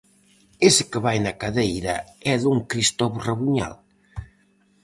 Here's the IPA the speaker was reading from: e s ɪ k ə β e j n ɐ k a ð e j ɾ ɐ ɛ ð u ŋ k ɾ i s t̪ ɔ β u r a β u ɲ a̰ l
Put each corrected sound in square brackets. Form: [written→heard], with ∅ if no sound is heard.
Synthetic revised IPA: e s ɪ k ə β [e→a] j n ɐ k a ð e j ɾ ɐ ɛ ð u ŋ k ɾ i s t̪ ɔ β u r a β u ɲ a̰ l